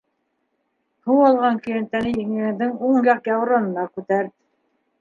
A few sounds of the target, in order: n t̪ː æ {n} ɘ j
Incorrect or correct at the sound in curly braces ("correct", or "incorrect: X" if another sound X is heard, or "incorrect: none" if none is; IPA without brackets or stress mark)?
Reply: correct